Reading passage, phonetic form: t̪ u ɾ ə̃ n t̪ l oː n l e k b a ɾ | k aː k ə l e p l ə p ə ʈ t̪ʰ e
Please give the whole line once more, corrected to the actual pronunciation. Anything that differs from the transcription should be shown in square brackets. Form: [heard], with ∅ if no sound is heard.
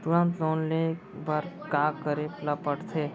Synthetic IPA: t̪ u ɾ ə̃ n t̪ l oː n l e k b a ɾ | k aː k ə [ɾ] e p l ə p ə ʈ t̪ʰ e